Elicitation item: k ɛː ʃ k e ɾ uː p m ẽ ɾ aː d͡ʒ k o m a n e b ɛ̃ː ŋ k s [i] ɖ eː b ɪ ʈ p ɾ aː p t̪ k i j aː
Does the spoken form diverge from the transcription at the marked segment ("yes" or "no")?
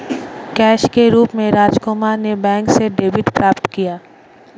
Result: yes